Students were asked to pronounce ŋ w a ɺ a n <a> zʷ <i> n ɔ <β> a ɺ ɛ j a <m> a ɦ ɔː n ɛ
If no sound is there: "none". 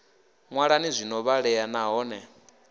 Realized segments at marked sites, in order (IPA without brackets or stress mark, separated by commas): i, i, β, n